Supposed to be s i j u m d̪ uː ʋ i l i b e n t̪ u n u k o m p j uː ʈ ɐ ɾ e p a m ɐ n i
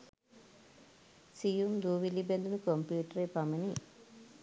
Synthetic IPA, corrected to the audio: s i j u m d̪ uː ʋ i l i b e n d̪ u n u k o m p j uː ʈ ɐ ɾ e p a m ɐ n i